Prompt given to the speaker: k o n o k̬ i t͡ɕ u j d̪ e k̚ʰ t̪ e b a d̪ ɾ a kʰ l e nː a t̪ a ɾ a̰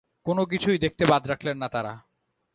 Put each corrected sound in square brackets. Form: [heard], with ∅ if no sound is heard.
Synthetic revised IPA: k o n o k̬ i [t͡ɕʰ] u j d̪ e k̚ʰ t̪ e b a d̪ ɾ a kʰ l e nː a t̪ a ɾ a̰